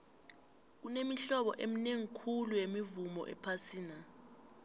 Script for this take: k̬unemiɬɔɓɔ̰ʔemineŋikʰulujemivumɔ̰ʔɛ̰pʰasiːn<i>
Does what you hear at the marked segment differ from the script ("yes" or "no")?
yes